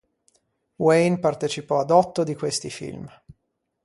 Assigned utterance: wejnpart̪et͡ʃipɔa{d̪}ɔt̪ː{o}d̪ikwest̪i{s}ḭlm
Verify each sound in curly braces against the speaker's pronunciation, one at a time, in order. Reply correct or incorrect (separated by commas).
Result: correct, correct, incorrect